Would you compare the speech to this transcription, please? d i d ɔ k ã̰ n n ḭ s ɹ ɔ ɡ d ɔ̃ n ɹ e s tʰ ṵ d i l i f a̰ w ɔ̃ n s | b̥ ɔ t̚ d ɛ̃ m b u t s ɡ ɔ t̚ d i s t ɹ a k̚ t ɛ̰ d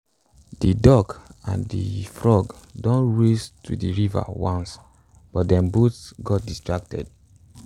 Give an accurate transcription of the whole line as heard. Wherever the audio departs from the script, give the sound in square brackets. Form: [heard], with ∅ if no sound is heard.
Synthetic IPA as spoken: d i d ɔ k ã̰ n [d] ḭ [f] ɹ ɔ ɡ d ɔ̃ n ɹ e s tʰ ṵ d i [ɹ] i [v] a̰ w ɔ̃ n s | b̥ ɔ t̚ d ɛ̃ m b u t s ɡ ɔ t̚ d i s t ɹ a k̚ t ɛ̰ d